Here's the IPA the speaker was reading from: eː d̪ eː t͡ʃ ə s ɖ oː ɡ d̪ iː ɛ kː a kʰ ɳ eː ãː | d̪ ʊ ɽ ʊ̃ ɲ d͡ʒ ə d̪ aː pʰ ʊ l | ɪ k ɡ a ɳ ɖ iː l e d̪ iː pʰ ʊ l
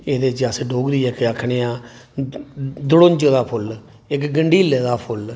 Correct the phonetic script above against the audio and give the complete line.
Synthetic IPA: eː d̪ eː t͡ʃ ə s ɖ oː ɡ d̪ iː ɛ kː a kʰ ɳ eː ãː | d̪ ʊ ɽ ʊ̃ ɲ d͡ʒ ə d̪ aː pʰ ʊ l | ɪ k ɡ ə ɳ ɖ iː l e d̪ aː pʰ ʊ l